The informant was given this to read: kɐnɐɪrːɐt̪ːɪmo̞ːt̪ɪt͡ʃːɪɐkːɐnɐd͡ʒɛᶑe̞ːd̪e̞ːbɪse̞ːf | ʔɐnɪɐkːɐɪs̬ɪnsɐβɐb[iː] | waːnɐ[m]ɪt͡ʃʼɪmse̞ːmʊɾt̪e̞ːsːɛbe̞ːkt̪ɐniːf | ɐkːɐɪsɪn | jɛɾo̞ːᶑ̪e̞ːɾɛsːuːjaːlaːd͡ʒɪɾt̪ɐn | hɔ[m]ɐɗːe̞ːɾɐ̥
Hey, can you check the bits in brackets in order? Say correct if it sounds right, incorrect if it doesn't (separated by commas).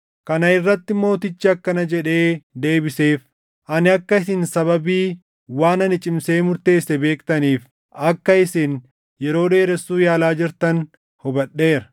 correct, incorrect, incorrect